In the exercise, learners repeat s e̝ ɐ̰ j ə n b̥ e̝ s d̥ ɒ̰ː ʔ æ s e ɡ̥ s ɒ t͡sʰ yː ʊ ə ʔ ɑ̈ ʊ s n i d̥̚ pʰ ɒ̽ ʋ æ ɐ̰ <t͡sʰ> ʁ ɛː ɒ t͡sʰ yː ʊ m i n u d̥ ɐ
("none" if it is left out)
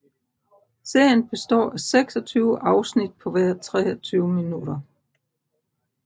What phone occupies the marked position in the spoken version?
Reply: t͡sʰ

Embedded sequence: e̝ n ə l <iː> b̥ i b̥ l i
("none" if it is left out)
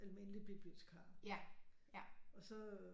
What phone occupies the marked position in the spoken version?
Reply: i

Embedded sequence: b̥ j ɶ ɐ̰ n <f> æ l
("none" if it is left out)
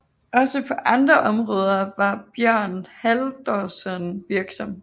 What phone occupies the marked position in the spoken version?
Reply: h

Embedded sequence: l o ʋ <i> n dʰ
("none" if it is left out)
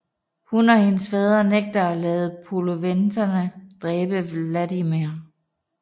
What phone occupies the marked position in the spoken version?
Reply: e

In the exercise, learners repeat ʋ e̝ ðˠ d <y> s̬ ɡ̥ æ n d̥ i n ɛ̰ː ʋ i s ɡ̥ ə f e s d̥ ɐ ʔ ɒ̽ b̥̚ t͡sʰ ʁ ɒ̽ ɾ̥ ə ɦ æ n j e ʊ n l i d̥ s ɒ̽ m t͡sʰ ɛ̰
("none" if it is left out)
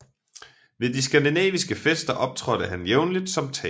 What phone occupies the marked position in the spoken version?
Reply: i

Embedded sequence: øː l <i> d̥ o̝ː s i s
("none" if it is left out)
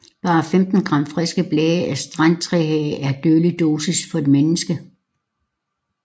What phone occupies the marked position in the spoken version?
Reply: i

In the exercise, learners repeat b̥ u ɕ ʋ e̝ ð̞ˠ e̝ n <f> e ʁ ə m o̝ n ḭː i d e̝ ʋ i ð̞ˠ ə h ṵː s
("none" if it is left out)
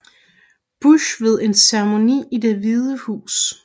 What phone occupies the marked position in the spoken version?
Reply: s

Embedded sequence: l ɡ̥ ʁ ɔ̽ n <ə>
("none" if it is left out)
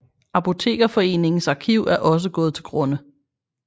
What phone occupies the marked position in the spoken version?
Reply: ə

